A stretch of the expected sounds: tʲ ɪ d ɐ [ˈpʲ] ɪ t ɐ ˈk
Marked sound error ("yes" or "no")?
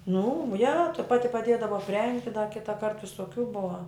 yes